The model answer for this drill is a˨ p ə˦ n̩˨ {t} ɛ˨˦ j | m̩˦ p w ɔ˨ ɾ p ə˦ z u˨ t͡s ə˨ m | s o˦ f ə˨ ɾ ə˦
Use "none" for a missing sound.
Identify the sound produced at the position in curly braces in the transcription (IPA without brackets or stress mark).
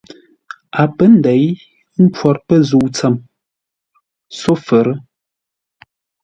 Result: d